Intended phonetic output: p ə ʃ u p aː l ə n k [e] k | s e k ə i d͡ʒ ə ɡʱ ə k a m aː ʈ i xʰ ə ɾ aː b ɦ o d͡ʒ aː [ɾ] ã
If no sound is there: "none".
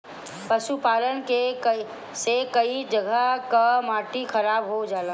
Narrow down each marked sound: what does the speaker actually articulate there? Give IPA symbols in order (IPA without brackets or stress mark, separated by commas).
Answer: e, l